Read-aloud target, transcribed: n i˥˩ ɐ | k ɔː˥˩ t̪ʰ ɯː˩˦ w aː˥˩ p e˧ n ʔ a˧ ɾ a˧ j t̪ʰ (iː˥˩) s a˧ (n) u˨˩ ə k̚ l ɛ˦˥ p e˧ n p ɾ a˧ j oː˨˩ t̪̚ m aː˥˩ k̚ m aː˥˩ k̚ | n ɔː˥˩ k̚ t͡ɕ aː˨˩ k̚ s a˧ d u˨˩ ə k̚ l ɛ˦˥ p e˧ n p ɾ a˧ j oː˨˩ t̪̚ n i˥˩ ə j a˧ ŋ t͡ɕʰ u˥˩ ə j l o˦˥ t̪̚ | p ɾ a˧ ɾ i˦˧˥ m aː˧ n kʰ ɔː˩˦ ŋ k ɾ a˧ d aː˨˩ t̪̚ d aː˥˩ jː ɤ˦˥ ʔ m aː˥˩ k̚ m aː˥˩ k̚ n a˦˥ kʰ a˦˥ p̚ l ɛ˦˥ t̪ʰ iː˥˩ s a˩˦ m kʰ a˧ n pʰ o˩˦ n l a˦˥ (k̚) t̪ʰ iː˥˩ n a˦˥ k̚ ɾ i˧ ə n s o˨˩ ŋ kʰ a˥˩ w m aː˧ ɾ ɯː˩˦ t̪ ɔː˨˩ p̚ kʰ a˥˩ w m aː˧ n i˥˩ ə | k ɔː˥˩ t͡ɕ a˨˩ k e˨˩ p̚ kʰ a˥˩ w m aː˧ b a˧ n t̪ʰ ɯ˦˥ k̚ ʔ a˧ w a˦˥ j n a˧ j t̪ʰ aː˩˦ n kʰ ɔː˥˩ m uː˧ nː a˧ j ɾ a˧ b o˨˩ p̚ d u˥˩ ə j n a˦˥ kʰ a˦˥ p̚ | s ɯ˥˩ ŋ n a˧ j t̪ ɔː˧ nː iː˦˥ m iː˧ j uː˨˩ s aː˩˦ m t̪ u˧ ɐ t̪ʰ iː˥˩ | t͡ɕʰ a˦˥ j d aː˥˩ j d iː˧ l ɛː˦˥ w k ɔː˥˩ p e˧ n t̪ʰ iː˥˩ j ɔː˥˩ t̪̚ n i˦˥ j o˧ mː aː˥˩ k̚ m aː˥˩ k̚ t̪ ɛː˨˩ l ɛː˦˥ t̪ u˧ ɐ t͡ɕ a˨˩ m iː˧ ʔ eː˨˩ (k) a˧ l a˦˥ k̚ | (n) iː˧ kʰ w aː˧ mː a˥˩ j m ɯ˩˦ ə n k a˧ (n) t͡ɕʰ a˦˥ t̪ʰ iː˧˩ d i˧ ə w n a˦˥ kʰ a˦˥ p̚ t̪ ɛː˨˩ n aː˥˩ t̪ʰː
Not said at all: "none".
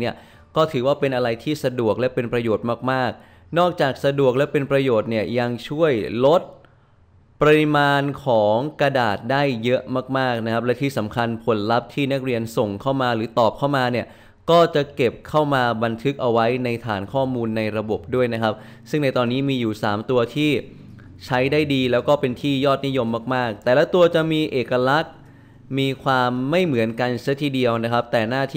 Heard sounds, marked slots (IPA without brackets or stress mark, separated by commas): iː˥˩, d, p̚, k, m, n